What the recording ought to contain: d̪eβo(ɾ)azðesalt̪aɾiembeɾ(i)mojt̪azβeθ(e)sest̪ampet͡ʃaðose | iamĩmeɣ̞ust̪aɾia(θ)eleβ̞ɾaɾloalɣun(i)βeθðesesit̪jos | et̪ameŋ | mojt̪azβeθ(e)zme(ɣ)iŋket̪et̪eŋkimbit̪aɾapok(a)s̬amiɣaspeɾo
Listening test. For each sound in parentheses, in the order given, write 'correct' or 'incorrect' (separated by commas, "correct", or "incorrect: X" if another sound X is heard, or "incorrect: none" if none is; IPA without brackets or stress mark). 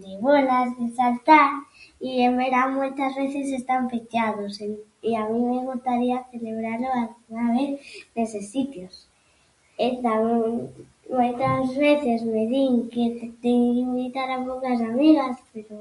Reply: incorrect: l, incorrect: a, correct, correct, incorrect: a, correct, incorrect: ð, correct